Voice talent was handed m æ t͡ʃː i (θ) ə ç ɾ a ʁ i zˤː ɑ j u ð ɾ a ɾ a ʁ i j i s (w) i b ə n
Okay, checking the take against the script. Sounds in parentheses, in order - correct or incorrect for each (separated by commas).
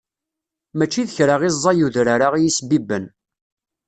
incorrect, incorrect